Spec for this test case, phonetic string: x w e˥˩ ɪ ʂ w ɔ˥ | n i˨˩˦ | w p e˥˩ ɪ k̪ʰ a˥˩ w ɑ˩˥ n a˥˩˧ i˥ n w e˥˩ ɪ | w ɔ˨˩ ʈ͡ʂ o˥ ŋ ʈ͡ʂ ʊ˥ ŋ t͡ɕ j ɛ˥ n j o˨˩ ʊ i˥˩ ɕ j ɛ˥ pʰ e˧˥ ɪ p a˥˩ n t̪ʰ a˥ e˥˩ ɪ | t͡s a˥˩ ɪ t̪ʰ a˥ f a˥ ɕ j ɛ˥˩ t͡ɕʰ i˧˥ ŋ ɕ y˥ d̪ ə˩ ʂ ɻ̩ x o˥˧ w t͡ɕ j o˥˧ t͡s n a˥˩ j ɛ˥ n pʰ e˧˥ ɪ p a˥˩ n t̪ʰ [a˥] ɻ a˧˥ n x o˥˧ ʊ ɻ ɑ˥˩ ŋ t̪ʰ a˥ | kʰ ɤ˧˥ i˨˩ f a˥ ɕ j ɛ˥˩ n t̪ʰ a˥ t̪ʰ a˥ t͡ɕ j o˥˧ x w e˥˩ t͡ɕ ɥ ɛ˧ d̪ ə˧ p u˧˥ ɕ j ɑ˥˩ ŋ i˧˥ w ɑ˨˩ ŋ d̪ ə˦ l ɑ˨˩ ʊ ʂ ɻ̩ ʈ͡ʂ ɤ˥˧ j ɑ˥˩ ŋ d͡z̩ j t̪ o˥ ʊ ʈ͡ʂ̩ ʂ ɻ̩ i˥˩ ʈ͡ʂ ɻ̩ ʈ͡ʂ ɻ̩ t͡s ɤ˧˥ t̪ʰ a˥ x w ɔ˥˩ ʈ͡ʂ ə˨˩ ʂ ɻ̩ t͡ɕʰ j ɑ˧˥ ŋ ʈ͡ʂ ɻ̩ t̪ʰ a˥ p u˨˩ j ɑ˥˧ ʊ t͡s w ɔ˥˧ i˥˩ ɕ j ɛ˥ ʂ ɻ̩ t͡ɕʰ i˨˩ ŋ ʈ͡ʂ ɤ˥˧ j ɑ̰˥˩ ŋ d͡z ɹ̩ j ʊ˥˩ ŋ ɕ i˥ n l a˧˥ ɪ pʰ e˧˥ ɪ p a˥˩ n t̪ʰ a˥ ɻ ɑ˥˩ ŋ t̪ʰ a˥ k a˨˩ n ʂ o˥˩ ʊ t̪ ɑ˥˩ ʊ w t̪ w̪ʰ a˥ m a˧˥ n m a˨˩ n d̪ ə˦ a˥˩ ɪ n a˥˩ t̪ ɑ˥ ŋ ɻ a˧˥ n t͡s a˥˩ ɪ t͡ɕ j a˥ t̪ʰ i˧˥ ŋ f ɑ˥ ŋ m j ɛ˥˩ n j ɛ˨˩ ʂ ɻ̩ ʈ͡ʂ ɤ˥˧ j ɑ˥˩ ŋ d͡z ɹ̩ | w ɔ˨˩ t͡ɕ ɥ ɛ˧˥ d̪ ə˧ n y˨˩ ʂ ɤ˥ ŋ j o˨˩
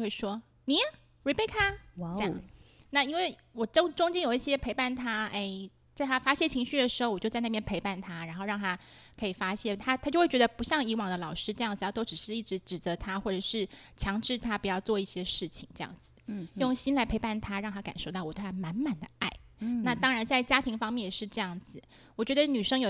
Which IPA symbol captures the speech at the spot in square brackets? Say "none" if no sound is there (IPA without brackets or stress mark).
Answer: a˥